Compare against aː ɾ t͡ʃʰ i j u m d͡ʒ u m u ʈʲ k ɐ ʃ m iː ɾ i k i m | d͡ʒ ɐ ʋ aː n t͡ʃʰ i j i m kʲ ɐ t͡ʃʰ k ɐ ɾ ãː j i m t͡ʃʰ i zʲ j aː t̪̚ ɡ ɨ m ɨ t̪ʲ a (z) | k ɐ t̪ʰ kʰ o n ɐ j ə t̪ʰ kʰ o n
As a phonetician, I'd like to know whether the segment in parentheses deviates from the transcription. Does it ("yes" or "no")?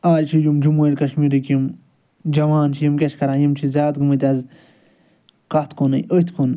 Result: no